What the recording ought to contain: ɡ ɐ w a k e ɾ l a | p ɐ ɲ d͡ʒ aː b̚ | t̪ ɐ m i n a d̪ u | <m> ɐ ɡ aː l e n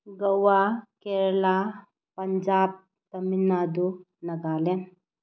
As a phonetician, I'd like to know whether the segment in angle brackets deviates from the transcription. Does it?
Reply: yes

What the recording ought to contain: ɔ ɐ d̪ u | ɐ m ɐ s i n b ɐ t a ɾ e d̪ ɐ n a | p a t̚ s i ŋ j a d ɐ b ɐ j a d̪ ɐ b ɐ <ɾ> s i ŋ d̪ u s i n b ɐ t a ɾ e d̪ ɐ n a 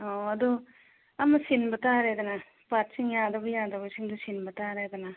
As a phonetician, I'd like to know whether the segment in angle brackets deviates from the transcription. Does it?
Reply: yes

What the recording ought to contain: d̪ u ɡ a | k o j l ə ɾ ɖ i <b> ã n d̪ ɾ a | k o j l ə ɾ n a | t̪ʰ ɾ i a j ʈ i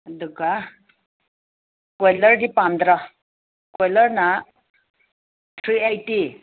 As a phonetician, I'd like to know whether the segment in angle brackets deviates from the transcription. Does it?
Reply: yes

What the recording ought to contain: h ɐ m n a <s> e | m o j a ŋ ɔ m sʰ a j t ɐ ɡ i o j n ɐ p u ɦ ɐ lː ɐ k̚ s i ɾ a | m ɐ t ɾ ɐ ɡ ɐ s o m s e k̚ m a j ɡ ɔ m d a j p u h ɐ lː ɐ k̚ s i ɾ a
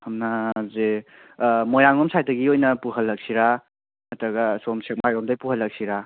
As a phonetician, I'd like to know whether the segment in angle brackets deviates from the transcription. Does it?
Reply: yes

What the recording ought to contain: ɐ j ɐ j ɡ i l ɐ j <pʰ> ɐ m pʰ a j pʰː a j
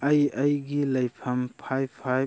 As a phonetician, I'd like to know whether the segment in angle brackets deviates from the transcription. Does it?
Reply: no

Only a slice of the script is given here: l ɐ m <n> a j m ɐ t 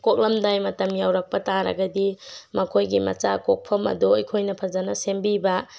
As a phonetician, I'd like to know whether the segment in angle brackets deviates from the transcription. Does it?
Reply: yes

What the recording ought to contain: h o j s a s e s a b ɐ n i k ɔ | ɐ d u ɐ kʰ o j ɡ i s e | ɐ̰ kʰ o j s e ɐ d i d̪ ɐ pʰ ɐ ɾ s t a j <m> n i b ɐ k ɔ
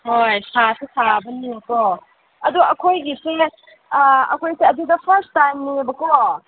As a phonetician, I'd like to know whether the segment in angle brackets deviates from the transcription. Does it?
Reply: no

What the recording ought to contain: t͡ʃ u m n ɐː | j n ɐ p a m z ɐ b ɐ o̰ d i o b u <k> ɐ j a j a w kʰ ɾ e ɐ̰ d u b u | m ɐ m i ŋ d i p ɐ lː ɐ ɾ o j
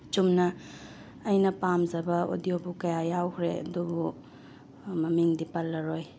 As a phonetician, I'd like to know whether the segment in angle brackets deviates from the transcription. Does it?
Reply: no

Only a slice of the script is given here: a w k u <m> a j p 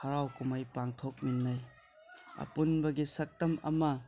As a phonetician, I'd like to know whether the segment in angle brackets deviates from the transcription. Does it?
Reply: no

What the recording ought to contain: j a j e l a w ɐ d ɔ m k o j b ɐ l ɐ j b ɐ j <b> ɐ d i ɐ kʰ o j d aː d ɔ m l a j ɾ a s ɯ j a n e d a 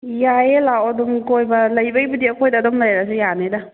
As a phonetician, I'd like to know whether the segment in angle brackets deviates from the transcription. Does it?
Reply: no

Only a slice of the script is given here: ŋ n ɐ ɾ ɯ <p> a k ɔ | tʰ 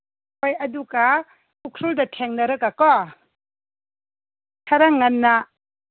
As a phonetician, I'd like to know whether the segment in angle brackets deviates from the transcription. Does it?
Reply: yes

